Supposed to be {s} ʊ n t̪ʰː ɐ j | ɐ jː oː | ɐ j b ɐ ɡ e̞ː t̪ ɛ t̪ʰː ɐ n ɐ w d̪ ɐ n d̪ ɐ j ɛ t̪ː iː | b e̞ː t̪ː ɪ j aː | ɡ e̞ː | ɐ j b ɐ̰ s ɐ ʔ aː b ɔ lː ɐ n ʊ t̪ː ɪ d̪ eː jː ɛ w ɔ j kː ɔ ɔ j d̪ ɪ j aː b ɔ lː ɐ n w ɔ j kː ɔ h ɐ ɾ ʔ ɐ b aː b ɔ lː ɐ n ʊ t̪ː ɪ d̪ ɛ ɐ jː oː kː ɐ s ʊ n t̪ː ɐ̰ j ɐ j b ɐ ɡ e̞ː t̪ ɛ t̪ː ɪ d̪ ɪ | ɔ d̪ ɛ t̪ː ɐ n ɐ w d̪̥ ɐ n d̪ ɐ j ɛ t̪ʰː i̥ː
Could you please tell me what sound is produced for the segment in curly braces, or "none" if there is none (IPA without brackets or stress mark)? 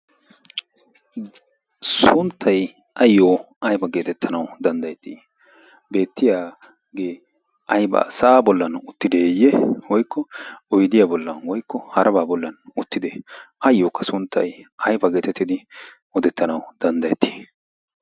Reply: s